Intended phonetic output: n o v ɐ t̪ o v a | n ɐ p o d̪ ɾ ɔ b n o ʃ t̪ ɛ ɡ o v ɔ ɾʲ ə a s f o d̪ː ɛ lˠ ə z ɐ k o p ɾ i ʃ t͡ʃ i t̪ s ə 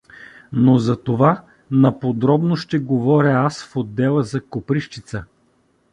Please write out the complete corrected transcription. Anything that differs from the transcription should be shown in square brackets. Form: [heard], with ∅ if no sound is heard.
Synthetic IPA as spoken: n o [z] ɐ t̪ o v a | n ɐ p o d̪ ɾ ɔ b n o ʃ t̪ ɛ ɡ o v ɔ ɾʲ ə a s f o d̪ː ɛ lˠ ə z ɐ k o p ɾ i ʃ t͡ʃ i t̪ s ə

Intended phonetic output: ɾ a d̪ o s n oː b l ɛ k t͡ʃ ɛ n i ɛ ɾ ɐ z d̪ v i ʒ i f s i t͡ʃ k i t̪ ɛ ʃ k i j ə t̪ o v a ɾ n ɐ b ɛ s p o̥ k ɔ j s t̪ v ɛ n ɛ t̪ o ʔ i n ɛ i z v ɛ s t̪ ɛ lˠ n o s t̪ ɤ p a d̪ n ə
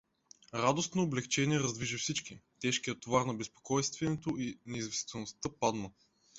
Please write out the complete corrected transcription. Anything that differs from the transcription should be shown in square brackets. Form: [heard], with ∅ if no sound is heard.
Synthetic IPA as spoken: ɾ a d̪ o s n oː b l ɛ k t͡ʃ ɛ n i ɛ ɾ ɐ z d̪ v i ʒ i f s i t͡ʃ k i t̪ ɛ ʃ k i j ə t̪ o v a ɾ n ɐ b ɛ s p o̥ k ɔ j s t̪ v ɛ n ɛ t̪ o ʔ i n ɛ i z v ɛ s t̪ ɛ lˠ n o s t̪ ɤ p a d̪ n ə

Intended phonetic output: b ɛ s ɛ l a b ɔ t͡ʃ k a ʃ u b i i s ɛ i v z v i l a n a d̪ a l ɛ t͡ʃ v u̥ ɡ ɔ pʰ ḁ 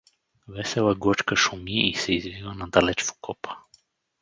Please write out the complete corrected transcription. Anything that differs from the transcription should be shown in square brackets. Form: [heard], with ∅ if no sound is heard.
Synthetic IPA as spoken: [v] ɛ s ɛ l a [ɡ] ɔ t͡ʃ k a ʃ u [m] i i s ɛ i [∅] z v i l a n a d̪ a l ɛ t͡ʃ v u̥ [k] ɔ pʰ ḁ

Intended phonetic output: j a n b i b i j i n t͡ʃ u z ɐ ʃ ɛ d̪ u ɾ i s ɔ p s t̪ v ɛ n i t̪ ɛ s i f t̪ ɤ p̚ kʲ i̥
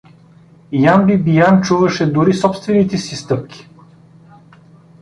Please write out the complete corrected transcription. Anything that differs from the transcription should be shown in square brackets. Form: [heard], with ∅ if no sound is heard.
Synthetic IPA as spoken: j a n b i b i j [a] n t͡ʃ u [v] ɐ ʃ ɛ d̪ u ɾ i s ɔ p s t̪ v ɛ n i t̪ ɛ s i [s] t̪ ɤ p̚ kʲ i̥

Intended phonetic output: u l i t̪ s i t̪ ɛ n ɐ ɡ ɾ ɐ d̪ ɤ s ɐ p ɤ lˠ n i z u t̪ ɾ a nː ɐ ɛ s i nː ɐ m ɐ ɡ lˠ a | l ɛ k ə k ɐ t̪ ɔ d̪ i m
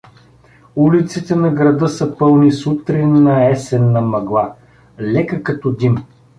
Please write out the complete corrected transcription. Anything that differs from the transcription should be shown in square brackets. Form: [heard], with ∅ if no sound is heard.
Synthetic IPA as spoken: u l i t̪ s i t̪ ɛ n ɐ ɡ ɾ ɐ d̪ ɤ s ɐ p ɤ lˠ n i [s] u t̪ ɾ [i] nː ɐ ɛ s [ɛ] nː ɐ m ɐ ɡ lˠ a | l ɛ k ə k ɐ t̪ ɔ d̪ i m

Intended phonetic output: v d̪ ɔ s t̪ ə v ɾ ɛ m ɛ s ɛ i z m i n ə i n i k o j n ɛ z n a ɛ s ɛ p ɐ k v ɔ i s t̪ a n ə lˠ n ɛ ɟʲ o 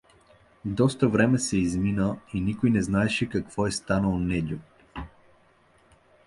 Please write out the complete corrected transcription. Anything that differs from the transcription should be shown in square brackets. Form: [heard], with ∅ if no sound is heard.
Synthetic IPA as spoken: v d̪ ɔ s t̪ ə v ɾ ɛ m ɛ s ɛ i z m i n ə i n i k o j n ɛ z n a ɛ [ʃ] ɛ [k] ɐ k v ɔ [ɛ] s t̪ a n ə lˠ n ɛ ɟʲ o

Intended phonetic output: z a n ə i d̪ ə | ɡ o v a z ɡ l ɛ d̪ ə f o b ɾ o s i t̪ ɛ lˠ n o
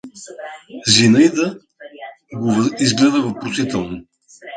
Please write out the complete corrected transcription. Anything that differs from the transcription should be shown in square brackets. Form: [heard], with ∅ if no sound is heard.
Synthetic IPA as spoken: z [i] n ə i d̪ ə | ɡ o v [i] z ɡ l ɛ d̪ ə [v] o [p] ɾ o s i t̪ ɛ lˠ n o

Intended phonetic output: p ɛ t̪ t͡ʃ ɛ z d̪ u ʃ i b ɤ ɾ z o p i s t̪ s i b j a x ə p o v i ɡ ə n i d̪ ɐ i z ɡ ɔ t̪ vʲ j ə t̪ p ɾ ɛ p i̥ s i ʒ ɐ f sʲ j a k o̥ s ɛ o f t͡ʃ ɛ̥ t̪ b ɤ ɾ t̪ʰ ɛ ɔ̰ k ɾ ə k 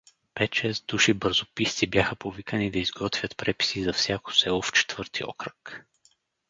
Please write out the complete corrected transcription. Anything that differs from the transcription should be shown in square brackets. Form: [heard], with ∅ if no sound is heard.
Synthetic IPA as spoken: p ɛ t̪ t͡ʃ ɛ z d̪ u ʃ i b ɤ ɾ z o p i s t̪ s i b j a x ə p o v i [k] ə n i d̪ ɐ i z ɡ ɔ t̪ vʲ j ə t̪ p ɾ ɛ p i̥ s i [z] ɐ f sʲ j a k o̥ s ɛ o f t͡ʃ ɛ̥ t̪ [v] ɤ ɾ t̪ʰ [i] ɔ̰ k ɾ ə k

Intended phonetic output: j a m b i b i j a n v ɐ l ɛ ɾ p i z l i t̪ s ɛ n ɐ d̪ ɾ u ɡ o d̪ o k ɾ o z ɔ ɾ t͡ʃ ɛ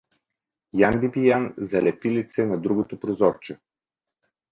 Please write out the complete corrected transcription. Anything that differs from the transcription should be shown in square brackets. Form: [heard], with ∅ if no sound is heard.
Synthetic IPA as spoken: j a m b i b i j a n [z] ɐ l ɛ [∅] p i [∅] l i t̪ s ɛ n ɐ d̪ ɾ u ɡ o [t̪] o [p] ɾ o z ɔ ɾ t͡ʃ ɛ

